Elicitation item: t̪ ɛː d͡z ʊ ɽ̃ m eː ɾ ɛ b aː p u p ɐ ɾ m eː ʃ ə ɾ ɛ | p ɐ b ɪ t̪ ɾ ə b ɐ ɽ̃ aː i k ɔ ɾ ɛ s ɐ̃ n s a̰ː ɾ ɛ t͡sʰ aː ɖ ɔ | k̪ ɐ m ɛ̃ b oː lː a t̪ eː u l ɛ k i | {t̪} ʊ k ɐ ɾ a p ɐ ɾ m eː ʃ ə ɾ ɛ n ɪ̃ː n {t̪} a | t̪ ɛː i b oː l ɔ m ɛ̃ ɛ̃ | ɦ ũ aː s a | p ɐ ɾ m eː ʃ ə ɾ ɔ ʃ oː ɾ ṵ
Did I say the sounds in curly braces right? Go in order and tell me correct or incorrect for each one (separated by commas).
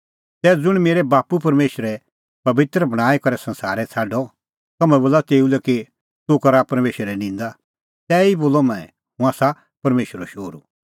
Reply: correct, incorrect